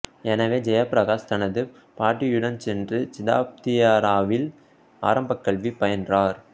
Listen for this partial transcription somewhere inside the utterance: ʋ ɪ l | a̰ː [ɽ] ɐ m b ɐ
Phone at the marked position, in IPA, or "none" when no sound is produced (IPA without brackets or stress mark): ɾ